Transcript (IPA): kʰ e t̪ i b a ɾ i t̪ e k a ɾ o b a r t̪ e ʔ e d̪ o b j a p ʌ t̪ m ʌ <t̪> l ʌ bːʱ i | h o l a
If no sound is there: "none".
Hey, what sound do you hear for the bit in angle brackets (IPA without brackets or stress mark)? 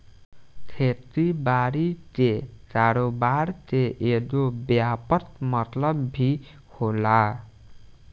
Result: t̪